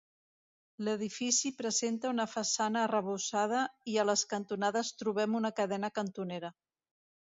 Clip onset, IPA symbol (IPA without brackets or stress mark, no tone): l